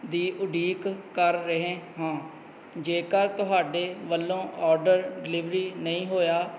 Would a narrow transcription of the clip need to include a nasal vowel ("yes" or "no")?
yes